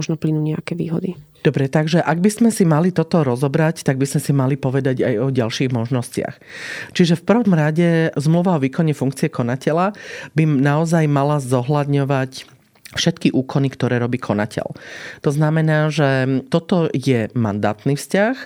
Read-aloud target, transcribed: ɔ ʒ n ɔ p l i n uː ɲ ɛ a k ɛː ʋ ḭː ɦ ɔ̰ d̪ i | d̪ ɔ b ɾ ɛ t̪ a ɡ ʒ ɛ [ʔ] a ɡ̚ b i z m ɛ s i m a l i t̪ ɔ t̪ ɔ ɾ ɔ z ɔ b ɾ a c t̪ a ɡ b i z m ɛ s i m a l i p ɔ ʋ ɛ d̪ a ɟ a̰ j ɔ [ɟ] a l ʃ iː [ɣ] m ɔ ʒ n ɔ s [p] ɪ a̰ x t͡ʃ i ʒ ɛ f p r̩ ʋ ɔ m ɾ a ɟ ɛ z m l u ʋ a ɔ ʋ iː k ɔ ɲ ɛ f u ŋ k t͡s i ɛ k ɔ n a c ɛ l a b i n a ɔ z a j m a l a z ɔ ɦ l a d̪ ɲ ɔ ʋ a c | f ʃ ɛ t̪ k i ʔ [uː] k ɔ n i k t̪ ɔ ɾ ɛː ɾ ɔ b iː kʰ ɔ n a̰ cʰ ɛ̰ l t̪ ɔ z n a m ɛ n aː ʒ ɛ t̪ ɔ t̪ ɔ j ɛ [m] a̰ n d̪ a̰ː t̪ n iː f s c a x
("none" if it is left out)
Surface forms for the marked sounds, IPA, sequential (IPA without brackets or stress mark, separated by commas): ʔ, ɟ, ɣ, c, uː, m